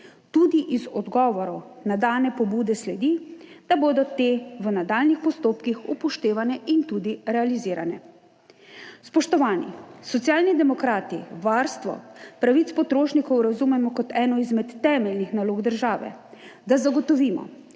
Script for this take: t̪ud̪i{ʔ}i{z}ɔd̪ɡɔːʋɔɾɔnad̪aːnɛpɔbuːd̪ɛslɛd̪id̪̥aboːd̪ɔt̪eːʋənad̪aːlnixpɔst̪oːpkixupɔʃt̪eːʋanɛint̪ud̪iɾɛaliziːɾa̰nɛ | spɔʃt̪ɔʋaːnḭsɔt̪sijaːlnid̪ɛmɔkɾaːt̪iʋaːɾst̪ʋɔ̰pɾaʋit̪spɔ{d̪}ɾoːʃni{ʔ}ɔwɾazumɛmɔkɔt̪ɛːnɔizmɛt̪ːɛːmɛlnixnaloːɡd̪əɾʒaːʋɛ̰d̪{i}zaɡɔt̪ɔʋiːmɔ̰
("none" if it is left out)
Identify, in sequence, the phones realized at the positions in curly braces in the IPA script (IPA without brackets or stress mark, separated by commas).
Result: ʔ, z, t̪, k, a